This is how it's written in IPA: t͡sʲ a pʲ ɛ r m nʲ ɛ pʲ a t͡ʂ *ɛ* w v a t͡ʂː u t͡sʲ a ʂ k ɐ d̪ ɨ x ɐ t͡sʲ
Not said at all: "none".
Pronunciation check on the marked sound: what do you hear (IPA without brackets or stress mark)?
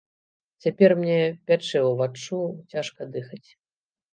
ɛ